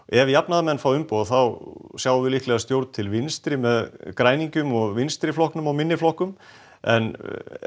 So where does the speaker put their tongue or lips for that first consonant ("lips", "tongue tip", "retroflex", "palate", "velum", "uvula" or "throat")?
lips